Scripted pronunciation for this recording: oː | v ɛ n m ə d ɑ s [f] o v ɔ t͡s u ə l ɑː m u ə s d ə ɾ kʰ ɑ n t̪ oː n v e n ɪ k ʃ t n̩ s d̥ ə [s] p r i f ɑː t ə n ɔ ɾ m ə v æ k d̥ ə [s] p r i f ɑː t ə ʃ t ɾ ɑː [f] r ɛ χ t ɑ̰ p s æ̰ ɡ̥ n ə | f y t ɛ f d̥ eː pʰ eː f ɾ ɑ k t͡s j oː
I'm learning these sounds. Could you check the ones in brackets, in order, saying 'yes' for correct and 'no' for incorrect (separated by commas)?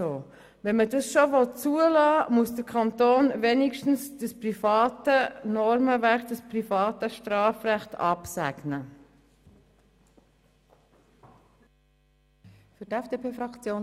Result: no, yes, yes, yes